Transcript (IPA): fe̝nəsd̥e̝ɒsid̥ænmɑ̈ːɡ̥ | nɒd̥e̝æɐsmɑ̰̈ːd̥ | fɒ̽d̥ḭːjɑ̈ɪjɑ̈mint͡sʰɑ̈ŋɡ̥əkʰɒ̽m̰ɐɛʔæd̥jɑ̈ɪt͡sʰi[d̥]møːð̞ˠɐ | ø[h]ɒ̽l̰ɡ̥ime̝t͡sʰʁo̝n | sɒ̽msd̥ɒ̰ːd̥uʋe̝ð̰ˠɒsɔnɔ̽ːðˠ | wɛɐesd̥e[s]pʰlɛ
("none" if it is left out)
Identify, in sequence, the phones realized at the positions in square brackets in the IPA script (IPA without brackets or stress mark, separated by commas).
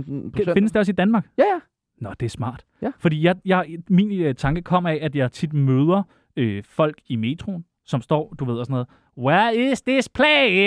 d̥, f, s